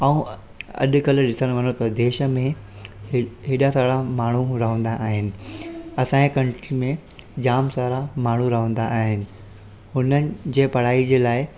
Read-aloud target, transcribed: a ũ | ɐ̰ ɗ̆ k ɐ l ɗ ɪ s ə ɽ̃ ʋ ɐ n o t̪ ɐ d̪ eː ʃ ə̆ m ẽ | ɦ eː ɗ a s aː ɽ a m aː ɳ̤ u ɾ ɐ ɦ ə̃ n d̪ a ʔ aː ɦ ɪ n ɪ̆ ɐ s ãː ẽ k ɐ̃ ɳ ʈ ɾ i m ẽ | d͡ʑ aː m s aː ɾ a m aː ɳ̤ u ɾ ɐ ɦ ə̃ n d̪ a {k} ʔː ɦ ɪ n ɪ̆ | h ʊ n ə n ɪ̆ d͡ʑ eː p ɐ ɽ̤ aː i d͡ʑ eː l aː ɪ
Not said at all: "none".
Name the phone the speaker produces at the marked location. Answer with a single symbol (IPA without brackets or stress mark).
none